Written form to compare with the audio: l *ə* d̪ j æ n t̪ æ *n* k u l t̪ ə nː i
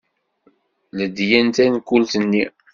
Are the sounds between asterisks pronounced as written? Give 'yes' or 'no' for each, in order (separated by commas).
yes, yes